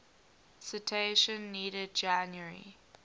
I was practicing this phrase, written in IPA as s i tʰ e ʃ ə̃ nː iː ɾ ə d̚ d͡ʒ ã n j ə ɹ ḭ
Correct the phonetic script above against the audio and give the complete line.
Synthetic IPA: s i tʰ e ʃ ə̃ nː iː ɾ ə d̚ d͡ʒ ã n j ə ɹ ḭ